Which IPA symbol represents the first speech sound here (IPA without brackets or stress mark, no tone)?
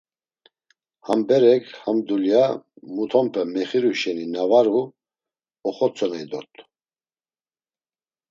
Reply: h